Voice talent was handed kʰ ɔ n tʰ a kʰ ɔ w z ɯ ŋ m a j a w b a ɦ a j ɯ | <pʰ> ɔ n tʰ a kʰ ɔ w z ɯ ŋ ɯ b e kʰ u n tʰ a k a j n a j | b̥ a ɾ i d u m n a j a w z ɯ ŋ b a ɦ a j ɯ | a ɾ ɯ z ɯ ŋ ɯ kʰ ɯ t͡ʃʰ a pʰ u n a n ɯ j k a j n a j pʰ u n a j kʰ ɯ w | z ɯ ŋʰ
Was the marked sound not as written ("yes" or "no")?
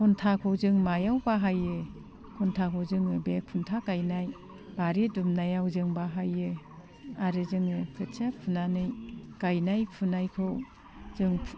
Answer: yes